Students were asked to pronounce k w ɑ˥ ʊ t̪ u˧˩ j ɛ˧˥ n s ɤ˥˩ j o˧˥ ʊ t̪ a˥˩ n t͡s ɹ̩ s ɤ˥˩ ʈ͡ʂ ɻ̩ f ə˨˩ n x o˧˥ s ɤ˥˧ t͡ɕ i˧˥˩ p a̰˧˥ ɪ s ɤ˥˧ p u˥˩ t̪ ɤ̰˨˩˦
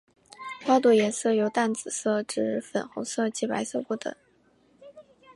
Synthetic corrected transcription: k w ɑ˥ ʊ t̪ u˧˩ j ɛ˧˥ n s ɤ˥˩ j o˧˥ ʊ t̪ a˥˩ n t͡s ɹ̩ s ɤ˥˩ ʈ͡ʂ ɻ̩ f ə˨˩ n x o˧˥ s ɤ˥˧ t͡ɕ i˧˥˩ p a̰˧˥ ɪ s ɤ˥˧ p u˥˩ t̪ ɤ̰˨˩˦

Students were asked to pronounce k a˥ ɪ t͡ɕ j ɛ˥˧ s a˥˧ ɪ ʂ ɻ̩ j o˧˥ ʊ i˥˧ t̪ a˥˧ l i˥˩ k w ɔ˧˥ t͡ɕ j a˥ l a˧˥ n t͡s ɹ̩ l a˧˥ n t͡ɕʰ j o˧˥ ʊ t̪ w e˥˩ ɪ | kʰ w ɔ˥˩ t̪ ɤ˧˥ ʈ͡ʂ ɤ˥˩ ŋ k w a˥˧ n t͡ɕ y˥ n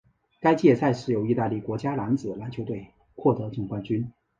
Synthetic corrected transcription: k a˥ ɪ t͡ɕ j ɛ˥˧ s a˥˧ ɪ ʂ ɻ̩ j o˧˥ ʊ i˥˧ t̪ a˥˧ l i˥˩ k w ɔ˧˥ t͡ɕ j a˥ l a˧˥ n t͡s ɹ̩ l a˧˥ n t͡ɕʰ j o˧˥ ʊ t̪ w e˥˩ ɪ | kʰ w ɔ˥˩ t̪ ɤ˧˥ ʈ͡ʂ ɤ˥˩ ŋ k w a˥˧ n t͡ɕ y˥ n

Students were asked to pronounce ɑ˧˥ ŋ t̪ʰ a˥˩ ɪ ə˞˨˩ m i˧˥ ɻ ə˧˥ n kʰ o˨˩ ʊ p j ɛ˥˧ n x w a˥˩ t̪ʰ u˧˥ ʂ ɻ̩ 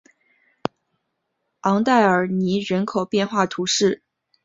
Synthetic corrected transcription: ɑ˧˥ ŋ t̪ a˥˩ ɪ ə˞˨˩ n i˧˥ ɻ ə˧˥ n kʰ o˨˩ ʊ p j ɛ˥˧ n x w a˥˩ t̪ʰ u˧˥ ʂ ɻ̩

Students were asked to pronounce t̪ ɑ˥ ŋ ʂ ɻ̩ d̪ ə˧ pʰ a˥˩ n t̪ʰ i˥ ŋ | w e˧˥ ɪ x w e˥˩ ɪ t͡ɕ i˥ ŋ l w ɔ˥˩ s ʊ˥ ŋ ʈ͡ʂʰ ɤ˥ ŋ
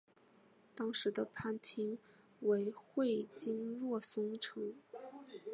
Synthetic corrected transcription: t̪ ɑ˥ ŋ ʂ ɻ̩ d̪ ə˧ pʰ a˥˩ n t̪ʰ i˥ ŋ | w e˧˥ ɪ x w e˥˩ ɪ t͡ɕ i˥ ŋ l w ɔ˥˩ s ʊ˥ ŋ ʈ͡ʂʰ ɤ˧˥ ŋ

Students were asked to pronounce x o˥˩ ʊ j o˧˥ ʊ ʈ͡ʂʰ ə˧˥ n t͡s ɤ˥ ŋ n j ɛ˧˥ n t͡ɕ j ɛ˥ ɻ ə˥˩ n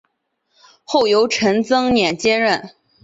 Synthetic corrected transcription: x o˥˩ ʊ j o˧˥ ʊ ʈ͡ʂʰ ə˧˥ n t͡s ɤ˥ ŋ n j ɛ˨˩ n t͡ɕ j ɛ˥ ɻ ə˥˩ n

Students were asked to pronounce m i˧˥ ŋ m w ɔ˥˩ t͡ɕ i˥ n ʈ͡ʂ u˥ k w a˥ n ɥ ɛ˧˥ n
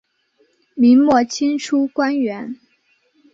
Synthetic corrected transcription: m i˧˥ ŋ m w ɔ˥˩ t͡ɕʰ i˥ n ʈ͡ʂʰ u˥ k w a˥ n ɥ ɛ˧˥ n

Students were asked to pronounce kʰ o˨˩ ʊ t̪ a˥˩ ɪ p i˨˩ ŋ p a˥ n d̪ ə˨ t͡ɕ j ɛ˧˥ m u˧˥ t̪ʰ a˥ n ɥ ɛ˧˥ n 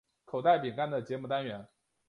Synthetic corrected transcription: kʰ o˨˩ ʊ t̪ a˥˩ ɪ p i˨˩ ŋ k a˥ n d̪ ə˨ t͡ɕ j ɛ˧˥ m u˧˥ t̪ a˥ n ɥ ɛ˧˥ n

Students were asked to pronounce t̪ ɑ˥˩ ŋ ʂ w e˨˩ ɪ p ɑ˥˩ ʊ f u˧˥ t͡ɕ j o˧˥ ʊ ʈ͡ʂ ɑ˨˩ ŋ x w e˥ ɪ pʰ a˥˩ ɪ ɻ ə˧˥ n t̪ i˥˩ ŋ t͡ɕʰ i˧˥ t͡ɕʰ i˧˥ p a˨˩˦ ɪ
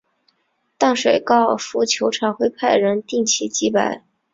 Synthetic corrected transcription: t̪ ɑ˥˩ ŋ ʂ w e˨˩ ɪ k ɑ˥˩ ʊ f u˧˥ t͡ɕʰ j o˧˥ ʊ ʈ͡ʂʰ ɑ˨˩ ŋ x w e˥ ɪ pʰ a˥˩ ɪ ɻ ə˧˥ n t̪ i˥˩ ŋ t͡ɕʰ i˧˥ t͡ɕ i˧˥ p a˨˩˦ ɪ

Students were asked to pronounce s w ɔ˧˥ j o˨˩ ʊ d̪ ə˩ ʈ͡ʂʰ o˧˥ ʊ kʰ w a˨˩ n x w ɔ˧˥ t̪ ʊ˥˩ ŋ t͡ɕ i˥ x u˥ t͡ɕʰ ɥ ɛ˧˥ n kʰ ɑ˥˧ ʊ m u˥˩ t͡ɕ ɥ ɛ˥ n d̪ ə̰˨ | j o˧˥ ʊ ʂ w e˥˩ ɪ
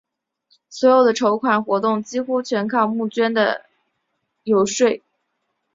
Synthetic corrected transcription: s w ɔ˧˥ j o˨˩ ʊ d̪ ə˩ ʈ͡ʂʰ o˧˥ ʊ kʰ w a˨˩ n x w ɔ˧˥ t̪ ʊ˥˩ ŋ t͡ɕ i˥ x u˥ t͡ɕʰ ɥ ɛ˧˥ n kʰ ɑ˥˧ ʊ m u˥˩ t͡ɕ ɥ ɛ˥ n d̪ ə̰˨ | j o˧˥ ʊ ʂ w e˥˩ ɪ

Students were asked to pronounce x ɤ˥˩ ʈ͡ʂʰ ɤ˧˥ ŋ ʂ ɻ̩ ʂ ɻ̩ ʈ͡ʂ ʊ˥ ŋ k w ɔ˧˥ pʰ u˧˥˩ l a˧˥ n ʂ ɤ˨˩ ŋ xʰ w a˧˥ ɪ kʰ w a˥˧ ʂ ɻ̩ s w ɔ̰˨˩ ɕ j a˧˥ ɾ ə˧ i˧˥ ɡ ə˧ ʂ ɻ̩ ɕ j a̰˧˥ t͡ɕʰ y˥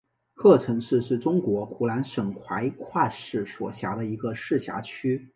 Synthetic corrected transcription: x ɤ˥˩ ʈ͡ʂʰ ɤ˧˥ ŋ ʂ ɻ̩ ʂ ɻ̩ ʈ͡ʂ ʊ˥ ŋ k w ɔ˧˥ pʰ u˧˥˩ l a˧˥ n ʂ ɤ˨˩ ŋ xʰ w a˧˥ ɪ kʰ w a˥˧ ʂ ɻ̩ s w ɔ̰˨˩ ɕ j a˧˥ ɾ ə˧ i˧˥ ɡ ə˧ ʂ ɻ̩ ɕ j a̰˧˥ t͡ɕʰ y˥

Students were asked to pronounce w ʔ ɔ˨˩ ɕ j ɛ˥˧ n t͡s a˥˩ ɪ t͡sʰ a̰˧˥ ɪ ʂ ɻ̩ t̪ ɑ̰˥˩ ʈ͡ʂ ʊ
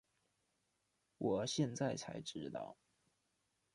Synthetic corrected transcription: w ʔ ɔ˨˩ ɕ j ɛ˥˧ n t͡s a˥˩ ɪ t͡sʰ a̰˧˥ ɪ ʈ͡ʂ ɻ̩ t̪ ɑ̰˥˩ ʊ

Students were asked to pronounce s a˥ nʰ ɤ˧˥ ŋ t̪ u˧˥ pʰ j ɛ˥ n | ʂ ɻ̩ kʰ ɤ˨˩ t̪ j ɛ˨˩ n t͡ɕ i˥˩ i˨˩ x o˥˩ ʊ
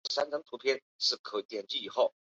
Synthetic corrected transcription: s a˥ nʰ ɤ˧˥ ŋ t̪ʰ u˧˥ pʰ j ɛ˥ n | ʂ ɻ̩ kʰ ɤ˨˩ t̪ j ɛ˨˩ n t͡ɕ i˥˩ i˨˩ x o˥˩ ʊ

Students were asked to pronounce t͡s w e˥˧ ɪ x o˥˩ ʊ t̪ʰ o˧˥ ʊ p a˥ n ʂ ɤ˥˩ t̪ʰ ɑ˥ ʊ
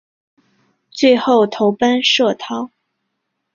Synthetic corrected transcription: t͡s w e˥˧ ɪ x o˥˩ ʊ t̪ʰ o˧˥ ʊ p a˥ n ʂ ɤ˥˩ t̪ʰ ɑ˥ ʊ

